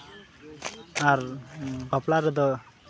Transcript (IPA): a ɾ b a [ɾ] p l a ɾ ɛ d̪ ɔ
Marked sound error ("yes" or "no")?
yes